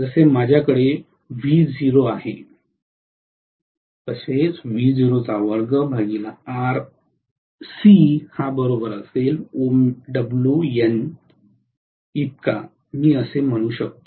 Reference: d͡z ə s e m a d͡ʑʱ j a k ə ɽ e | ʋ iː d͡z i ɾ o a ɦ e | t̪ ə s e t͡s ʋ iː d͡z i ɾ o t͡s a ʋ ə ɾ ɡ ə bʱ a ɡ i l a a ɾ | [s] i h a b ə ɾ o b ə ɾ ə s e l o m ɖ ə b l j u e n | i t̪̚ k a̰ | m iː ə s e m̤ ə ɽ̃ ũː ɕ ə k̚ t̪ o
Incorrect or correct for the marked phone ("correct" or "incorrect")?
correct